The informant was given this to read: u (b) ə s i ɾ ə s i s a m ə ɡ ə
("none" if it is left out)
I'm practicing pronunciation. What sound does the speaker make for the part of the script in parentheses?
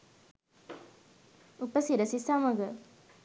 p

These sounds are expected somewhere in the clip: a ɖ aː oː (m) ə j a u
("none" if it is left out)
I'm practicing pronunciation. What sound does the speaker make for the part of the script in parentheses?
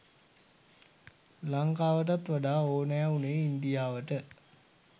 n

